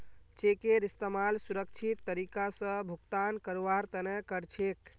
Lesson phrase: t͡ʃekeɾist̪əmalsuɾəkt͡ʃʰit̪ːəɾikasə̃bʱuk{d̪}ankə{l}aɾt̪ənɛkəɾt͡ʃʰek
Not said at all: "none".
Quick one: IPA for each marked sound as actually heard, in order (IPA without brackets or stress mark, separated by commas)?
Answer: t̪, ɾ